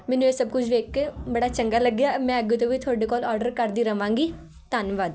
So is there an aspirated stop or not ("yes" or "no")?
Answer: yes